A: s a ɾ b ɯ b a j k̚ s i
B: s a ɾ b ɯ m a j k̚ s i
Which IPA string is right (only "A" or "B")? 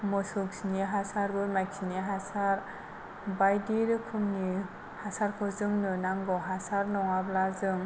B